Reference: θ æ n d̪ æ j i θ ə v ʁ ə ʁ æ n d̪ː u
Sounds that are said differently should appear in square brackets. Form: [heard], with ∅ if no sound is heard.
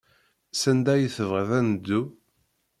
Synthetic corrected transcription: [s] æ n d̪ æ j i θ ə v ʁ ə [ð] æ n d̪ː u